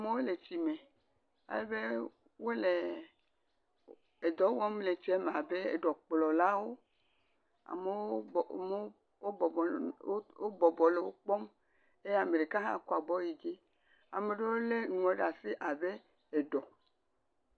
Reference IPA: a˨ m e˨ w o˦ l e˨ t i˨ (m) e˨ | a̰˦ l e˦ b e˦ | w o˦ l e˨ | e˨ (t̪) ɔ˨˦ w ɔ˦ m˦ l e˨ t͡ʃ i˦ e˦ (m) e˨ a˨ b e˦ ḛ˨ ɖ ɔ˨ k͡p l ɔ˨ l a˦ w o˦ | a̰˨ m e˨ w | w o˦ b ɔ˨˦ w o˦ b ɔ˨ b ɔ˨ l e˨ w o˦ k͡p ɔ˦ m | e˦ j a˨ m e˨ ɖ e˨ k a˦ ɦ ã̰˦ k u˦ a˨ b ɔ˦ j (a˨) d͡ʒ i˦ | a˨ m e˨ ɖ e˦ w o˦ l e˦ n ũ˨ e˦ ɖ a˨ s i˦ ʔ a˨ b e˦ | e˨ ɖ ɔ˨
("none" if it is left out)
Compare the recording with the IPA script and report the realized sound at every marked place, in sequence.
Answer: m, d̪, m, i˨

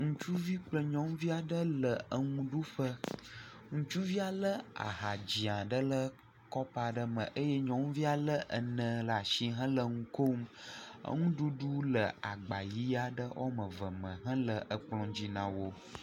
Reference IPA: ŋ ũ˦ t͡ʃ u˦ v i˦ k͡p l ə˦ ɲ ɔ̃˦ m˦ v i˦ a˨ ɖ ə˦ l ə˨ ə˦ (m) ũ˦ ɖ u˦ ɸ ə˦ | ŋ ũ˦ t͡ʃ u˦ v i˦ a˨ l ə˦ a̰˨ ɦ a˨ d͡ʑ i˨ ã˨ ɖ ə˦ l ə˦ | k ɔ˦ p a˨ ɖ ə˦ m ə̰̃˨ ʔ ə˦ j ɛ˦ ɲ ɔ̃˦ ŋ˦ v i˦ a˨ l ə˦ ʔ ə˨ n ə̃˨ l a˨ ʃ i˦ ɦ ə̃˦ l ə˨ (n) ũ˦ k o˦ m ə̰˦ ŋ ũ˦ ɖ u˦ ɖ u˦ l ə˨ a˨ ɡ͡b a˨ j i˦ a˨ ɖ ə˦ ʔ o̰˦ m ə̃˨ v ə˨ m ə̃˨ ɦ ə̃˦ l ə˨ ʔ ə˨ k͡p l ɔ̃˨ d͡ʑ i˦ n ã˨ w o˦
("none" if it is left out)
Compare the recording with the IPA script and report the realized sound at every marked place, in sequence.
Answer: ŋ, ŋ

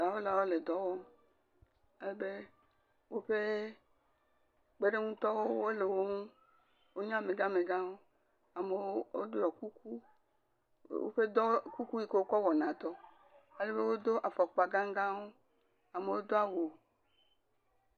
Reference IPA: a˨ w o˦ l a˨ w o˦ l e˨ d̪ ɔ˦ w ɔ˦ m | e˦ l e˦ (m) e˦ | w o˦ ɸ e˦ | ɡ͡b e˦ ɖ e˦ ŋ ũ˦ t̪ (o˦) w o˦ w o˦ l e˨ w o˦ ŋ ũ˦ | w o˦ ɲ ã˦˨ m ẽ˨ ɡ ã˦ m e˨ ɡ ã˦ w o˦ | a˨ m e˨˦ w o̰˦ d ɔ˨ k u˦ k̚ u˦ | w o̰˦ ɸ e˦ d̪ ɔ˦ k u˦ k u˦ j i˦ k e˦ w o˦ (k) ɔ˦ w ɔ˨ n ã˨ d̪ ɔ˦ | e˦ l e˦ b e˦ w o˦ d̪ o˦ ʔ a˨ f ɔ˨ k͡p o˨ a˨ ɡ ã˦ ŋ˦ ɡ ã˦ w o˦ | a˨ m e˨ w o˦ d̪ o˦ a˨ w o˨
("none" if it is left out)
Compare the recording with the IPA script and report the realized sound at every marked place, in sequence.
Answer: b, ɔ˦, k

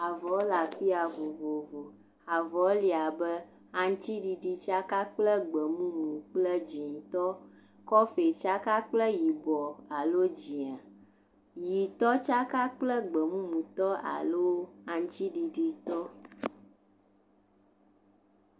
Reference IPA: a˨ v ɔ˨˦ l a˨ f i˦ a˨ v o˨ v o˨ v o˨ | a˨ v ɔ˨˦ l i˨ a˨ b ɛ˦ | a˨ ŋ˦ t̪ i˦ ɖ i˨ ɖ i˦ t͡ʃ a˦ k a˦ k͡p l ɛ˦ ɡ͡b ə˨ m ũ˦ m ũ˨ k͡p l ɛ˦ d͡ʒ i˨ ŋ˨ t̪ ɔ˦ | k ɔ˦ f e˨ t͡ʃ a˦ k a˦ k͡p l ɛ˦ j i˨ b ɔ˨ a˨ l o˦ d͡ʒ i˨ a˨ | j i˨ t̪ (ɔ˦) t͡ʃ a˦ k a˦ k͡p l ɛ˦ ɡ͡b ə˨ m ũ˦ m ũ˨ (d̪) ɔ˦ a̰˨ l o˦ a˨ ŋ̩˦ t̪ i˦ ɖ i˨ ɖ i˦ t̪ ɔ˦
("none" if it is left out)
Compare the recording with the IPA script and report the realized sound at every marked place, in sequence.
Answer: ɔ˦, t̪

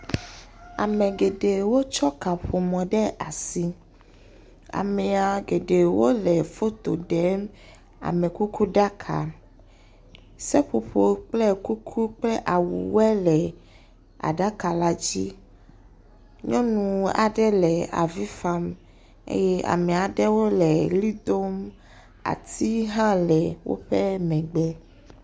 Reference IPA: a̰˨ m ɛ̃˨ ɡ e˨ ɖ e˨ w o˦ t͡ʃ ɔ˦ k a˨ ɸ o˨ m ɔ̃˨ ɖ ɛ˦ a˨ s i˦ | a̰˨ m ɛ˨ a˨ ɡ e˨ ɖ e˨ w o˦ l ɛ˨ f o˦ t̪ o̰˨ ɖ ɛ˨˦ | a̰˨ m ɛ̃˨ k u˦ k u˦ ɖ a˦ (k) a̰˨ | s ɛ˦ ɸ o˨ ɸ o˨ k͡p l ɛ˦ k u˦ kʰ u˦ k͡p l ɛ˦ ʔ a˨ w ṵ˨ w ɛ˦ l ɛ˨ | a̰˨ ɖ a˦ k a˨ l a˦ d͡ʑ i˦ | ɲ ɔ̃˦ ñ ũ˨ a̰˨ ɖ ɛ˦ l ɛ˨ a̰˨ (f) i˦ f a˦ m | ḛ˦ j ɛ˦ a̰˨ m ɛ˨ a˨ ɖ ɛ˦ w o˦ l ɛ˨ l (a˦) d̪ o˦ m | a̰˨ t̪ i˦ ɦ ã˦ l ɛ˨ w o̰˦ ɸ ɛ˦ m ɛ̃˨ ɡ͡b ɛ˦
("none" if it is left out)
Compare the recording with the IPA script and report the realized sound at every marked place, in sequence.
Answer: kʰ, v, i˦

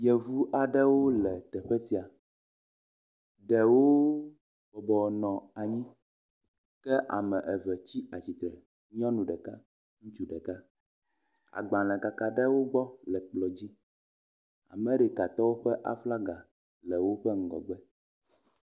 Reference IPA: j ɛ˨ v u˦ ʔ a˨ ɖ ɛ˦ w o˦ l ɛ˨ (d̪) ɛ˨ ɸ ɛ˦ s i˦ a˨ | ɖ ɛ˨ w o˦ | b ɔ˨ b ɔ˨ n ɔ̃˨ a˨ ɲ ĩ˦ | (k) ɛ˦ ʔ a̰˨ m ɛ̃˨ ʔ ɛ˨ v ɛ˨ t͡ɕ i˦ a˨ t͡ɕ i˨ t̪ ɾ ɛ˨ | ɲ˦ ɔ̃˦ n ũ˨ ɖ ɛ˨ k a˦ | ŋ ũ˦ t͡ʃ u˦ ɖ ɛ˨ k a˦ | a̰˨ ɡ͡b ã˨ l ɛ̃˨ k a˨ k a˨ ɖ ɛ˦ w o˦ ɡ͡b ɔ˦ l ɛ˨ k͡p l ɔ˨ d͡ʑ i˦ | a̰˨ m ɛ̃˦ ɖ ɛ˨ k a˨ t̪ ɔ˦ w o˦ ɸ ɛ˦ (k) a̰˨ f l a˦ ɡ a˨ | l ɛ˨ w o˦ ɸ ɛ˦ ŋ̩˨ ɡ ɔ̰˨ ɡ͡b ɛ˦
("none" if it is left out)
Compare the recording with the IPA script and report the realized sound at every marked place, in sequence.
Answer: t̪, k, ʔ

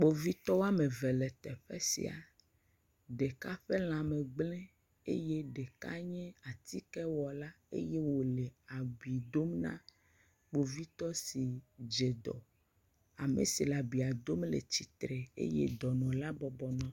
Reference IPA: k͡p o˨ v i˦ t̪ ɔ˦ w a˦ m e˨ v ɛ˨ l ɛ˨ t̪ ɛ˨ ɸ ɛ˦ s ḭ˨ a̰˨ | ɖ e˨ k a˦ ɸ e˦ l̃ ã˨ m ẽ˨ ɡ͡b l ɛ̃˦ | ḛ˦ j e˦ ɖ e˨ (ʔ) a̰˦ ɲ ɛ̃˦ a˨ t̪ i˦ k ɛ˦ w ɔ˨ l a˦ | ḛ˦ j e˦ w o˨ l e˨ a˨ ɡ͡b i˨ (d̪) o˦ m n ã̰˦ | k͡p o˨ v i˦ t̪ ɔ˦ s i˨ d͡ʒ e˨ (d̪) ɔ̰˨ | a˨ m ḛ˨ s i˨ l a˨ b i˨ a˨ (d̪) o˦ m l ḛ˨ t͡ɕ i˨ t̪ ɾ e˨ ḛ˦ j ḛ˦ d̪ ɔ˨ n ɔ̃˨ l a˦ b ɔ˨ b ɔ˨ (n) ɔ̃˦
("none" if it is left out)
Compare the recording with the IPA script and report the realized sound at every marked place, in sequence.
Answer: k, d̪, d̪, d̪, n

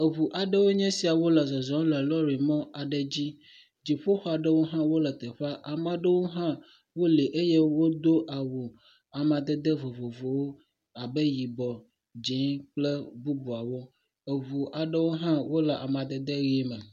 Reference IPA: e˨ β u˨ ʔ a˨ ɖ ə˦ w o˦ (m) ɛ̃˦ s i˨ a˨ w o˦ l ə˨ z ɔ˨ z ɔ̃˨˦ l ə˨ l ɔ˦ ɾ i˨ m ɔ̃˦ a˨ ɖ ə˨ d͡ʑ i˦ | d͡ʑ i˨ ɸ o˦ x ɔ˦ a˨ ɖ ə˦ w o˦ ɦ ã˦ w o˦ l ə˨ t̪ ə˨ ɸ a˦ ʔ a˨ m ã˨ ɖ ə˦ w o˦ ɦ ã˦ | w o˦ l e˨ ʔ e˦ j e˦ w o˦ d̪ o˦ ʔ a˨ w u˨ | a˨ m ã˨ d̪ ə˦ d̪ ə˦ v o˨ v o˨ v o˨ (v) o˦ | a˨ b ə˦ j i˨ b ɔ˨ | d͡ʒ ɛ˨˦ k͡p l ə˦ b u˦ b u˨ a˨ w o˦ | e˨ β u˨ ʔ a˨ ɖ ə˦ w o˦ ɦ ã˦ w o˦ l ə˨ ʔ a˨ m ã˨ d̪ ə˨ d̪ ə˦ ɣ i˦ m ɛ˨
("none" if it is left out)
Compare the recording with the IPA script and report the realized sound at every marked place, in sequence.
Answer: ɲ, w

